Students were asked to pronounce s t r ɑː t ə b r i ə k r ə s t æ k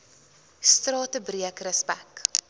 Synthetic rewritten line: s t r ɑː t ə b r i ə k r ə s p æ k